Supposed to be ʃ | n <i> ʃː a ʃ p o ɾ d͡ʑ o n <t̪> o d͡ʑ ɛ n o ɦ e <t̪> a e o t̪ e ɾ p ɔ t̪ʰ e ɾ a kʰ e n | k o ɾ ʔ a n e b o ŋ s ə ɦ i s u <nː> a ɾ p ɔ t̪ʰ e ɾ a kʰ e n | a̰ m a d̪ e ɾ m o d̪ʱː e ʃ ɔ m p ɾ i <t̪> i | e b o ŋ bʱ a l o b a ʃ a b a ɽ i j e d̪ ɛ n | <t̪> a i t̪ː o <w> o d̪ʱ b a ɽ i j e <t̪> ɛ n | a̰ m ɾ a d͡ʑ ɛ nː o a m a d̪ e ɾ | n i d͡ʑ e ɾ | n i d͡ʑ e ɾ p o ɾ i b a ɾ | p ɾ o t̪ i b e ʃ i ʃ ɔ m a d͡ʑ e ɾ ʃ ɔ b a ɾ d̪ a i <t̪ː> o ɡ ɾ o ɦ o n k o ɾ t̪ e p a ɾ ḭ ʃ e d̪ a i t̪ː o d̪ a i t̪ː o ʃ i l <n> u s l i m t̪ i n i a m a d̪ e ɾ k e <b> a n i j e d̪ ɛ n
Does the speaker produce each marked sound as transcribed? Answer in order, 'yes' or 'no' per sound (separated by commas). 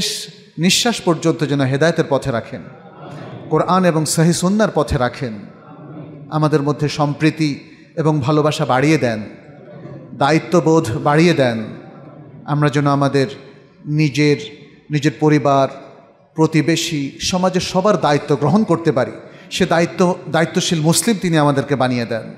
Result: yes, yes, no, yes, yes, no, no, no, yes, no, yes